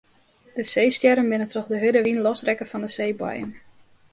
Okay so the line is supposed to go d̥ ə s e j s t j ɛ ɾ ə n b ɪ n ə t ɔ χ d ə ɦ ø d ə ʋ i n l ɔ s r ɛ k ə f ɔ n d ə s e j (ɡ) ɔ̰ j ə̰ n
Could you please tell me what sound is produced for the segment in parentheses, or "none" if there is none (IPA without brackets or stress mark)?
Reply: b